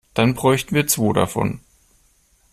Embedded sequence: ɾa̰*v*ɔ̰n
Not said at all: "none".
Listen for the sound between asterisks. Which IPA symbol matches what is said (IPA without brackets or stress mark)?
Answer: f